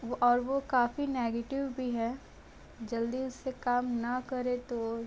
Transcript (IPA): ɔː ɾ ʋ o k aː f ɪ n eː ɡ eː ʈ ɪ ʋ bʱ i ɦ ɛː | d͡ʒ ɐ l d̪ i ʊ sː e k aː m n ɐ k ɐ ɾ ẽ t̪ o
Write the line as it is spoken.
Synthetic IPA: ɔː ɾ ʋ o k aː f i n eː ɡ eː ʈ ɪ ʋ bʱ i ɦ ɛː | d͡ʒ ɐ l d̪ i ʊ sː e k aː m n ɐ k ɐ ɾ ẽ t̪ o

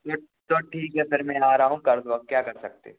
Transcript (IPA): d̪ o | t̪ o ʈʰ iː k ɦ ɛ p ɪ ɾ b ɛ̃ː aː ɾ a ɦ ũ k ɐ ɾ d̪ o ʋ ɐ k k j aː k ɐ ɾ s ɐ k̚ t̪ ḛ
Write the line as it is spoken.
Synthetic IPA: t̪ o | t̪ o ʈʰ iː k ɦ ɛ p ɪ ɾ m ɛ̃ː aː ɾ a ɦ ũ k ɐ ɾ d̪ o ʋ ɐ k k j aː k ɐ ɾ s ɐ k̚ t̪ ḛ

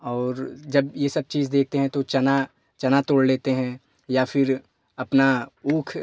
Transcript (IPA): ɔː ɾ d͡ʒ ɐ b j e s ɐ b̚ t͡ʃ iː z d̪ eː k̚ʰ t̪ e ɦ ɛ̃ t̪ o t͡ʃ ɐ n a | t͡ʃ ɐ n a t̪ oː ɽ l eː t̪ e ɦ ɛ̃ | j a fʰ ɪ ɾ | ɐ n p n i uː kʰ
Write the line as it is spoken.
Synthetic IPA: ɔː ɾ d͡ʒ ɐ b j e s ɐ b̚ t͡ʃ iː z d̪ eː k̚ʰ t̪ e ɦ ɛ̃ t̪ o t͡ʃ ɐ n a | t͡ʃ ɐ n a t̪ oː ɽ l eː t̪ e ɦ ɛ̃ | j a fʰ ɪ ɾ | ɐ p n a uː kʰ

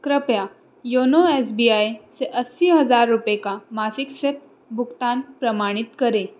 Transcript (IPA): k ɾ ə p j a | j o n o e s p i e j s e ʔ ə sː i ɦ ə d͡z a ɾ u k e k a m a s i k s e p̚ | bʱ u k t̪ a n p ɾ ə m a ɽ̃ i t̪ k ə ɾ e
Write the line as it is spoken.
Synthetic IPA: k ɾ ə p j a | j o n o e s b i a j s e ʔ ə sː i ɦ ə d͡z a ɾː u p e k a m a s i k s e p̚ | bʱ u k t̪ a n p ɾ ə m a ɽ̃ i t̪ k ə ɾ e

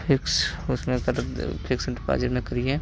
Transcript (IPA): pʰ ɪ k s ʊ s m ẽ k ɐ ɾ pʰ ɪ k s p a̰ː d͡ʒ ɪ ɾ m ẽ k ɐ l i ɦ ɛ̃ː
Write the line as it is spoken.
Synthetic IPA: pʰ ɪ k s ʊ s m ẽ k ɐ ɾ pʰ ɪ k s p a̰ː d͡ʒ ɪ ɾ m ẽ k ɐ ɾ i ɦ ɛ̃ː

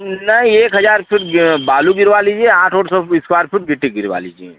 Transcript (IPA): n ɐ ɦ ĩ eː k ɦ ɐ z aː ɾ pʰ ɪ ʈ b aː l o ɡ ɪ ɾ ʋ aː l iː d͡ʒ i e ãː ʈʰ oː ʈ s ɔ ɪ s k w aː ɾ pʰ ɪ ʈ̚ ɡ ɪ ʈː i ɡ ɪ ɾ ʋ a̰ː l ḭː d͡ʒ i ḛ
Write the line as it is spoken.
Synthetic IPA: n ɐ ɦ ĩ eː k ɦ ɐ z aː ɾ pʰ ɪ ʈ b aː l u ɡ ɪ ɾ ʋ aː l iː d͡ʒ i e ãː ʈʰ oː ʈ s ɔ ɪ s k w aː ɾ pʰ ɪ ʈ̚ ɡ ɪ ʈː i ɡ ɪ ɾ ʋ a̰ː l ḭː d͡ʒ i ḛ

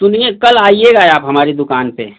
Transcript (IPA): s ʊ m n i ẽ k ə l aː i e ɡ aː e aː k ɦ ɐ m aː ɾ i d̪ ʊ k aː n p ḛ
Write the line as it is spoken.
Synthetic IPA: s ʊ n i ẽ k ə l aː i e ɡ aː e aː p ɦ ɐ m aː ɾ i d̪ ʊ k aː n p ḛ

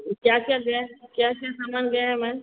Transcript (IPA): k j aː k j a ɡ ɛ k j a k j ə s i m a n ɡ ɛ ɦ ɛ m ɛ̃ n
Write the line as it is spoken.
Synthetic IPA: k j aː k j a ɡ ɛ k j a k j a s a m a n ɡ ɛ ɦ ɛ m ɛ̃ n

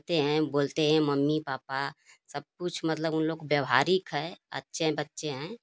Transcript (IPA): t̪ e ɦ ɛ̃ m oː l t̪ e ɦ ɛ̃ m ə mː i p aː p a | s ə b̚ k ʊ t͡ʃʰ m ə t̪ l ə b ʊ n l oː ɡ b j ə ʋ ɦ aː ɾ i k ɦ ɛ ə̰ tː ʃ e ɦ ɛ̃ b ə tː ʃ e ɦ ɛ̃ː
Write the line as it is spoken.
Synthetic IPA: t̪ e ɦ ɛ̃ b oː l t̪ e ɦ ɛ̃ m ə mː i p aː p a | s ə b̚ k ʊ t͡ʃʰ m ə t̪ l ə b ʊ n l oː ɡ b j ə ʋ ɦ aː ɾ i k ɦ ɛ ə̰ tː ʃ e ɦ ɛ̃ b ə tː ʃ e ɦ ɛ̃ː

